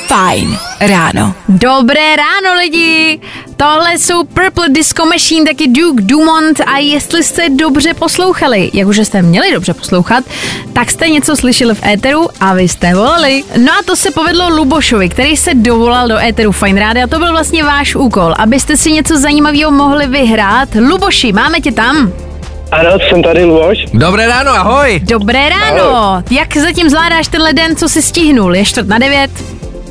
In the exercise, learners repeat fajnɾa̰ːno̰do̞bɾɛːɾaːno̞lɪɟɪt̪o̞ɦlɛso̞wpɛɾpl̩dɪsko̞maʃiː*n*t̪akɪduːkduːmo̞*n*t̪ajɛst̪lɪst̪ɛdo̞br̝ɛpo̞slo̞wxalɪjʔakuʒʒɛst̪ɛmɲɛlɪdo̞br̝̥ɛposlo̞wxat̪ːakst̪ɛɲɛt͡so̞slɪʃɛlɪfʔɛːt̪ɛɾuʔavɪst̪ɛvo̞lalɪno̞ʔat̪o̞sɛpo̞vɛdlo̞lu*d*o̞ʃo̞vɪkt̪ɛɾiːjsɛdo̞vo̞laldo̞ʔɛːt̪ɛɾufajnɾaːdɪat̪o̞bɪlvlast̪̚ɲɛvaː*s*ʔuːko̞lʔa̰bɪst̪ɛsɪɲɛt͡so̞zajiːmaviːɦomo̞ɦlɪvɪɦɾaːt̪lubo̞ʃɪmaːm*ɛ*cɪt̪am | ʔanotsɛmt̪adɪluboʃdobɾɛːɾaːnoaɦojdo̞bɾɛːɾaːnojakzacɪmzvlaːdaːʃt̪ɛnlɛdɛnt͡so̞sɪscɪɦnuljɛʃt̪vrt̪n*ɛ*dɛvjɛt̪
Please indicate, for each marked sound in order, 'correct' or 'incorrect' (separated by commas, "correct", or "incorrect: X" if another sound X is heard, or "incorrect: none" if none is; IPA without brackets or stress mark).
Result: correct, correct, incorrect: b, incorrect: ʃ, correct, incorrect: a